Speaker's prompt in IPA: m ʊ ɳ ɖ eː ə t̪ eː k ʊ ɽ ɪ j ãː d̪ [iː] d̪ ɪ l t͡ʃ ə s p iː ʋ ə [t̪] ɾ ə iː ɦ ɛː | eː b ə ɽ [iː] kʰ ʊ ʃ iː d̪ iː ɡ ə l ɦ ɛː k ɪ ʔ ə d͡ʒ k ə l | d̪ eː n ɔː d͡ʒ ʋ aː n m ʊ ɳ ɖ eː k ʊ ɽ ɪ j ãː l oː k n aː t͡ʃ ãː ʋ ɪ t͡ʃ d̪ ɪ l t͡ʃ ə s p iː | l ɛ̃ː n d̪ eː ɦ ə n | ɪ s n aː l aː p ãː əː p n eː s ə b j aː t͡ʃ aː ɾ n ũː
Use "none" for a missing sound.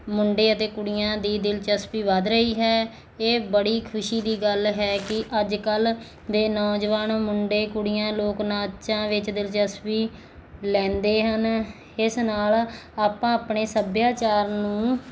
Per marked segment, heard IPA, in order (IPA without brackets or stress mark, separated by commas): iː, d̪, iː